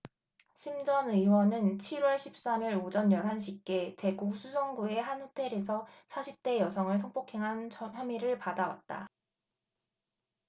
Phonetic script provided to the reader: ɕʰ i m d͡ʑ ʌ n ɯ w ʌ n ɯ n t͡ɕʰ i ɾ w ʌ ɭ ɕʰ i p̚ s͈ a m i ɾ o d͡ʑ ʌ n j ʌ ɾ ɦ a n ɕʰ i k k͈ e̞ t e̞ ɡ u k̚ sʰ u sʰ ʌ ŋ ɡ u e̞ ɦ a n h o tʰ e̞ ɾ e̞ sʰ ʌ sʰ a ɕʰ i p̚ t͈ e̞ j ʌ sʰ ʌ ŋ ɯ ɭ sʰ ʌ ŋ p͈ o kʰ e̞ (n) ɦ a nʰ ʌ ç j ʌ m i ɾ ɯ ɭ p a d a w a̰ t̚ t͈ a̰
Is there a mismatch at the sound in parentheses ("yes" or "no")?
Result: yes